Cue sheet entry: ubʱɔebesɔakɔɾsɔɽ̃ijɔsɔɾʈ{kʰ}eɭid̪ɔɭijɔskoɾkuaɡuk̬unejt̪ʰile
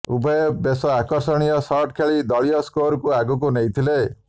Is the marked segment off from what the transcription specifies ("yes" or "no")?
no